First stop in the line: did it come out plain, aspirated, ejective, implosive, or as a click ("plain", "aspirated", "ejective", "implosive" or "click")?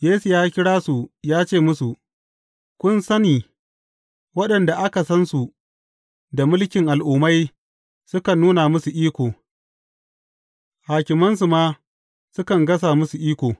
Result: plain